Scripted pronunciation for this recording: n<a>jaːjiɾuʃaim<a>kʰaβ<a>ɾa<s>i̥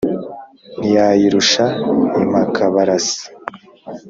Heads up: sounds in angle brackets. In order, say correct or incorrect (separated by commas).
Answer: incorrect, correct, correct, correct